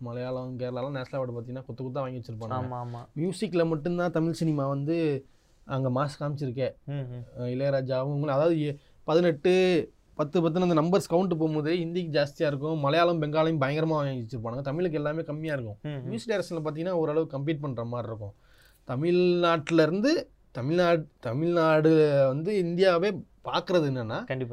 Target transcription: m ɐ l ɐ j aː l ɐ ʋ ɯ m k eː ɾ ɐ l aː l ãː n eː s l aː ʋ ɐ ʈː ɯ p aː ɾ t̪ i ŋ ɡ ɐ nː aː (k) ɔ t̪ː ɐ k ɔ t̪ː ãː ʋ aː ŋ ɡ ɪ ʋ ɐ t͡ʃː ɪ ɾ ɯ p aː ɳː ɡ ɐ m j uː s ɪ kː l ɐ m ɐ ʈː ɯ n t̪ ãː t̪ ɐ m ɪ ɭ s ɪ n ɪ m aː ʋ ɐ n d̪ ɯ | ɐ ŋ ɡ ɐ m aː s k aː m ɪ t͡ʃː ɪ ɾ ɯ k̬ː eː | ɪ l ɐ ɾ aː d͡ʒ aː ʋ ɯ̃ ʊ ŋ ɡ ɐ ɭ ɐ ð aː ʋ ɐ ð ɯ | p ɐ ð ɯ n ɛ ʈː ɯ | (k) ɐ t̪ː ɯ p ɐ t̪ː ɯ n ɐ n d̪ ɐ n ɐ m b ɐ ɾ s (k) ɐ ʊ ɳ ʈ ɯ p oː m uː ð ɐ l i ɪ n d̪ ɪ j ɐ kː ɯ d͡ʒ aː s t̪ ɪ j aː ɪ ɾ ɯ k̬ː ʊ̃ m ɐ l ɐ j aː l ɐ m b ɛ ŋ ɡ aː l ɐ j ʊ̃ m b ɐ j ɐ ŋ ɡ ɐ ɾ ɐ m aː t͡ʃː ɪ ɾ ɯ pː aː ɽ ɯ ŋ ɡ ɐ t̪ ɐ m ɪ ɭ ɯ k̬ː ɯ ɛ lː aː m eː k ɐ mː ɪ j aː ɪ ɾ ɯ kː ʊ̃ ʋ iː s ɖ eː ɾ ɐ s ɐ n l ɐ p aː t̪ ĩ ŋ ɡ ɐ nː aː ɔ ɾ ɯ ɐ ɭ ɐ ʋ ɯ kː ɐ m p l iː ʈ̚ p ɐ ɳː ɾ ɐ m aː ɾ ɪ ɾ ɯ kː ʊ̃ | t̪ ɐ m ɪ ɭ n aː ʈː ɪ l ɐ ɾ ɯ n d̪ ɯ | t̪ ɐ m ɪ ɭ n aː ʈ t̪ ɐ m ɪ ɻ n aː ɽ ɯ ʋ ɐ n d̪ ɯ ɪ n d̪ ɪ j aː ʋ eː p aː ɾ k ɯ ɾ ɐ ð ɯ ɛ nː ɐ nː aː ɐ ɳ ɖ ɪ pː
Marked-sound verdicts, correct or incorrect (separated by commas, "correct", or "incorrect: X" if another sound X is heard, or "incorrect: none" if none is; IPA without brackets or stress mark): correct, incorrect: p, correct